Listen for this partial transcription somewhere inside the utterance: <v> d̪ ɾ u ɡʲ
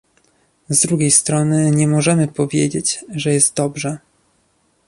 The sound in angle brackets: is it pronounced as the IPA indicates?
no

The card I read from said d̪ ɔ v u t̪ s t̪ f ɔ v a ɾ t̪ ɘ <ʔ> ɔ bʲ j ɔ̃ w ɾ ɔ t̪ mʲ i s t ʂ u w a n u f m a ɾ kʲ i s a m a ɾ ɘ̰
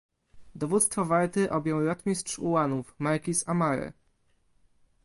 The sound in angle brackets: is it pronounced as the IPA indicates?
yes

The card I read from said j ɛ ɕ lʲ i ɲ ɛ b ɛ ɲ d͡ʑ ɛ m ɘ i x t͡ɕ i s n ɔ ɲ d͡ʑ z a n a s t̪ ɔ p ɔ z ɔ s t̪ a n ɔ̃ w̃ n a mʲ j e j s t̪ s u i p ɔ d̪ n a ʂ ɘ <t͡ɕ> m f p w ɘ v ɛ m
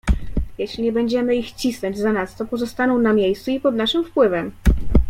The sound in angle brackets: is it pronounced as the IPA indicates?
no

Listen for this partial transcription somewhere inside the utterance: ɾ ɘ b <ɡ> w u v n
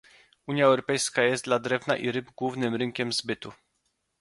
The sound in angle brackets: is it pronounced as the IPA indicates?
yes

